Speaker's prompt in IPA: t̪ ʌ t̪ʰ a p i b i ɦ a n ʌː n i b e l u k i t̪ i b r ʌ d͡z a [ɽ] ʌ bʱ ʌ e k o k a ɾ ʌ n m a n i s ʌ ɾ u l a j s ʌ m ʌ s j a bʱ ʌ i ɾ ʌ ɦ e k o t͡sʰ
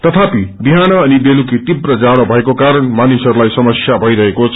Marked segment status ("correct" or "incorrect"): correct